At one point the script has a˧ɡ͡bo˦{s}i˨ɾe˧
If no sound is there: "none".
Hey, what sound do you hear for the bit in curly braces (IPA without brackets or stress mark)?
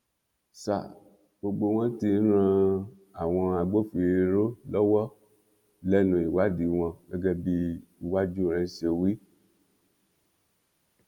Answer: f